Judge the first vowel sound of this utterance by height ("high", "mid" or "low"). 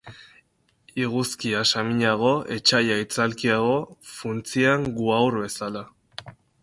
high